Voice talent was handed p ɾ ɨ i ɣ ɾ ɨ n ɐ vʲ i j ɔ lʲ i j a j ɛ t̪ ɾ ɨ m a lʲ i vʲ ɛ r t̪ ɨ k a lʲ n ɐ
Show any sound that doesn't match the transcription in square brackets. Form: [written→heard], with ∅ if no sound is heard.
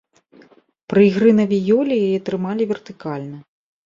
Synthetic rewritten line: p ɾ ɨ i ɣ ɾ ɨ n ɐ vʲ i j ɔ lʲ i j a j ɛ t̪ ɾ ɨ m a lʲ i vʲ ɛ r t̪ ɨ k a lʲ n ɐ